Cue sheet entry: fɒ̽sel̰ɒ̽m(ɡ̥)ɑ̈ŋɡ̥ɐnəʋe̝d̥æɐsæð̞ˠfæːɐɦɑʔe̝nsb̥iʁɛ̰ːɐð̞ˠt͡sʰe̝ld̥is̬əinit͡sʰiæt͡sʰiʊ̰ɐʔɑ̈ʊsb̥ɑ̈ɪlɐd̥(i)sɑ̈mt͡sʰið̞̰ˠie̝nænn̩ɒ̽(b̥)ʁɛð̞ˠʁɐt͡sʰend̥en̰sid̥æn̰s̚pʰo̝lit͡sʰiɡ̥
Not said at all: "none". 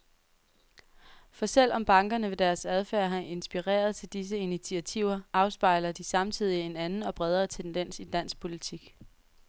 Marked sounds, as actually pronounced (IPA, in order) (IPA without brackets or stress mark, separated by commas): b̥, i, b̥